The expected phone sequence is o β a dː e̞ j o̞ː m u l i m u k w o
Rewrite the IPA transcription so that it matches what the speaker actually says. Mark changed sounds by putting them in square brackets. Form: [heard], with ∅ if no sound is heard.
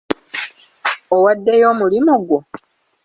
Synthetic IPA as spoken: o [w] a dː e̞ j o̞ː m u l i m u [ɡ] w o